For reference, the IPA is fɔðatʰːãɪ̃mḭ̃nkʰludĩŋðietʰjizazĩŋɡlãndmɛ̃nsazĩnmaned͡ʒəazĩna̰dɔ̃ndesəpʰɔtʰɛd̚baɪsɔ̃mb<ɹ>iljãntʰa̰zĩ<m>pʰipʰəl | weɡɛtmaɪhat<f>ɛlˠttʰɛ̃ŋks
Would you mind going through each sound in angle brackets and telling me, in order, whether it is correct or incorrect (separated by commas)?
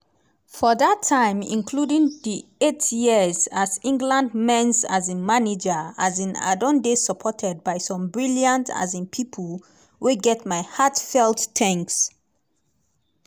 correct, incorrect, correct